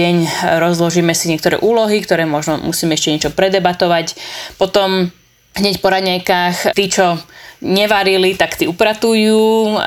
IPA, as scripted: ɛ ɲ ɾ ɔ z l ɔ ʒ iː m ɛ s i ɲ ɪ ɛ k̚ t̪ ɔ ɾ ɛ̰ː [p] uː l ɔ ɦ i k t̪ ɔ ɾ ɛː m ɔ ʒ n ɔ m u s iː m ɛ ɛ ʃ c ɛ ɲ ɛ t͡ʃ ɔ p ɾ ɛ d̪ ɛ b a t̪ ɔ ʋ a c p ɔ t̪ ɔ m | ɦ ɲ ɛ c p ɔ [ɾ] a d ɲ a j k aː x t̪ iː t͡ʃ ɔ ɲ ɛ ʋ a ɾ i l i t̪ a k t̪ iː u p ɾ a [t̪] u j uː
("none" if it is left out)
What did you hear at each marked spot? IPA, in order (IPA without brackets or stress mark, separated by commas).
ʔ, ɾ, t̪